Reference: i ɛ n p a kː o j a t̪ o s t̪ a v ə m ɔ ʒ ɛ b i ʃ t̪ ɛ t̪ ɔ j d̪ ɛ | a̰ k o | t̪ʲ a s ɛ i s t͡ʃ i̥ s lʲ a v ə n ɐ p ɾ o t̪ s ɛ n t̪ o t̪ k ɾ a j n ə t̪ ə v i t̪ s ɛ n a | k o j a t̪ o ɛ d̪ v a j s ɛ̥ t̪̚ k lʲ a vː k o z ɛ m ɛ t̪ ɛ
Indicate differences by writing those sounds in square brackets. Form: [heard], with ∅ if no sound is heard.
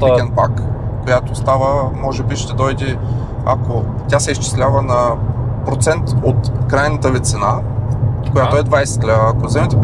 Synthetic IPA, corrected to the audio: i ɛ n p a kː o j a t̪ o s t̪ a v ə m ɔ ʒ ɛ b i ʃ t̪ ɛ [d̪] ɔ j d̪ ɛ | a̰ k o | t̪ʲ a s ɛ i s t͡ʃ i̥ s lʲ a v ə n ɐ p ɾ o t̪ s ɛ n t̪ o t̪ k ɾ a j n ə t̪ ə v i t̪ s ɛ n a | k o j a t̪ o ɛ d̪ v a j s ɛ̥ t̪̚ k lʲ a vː k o z ɛ m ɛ t̪ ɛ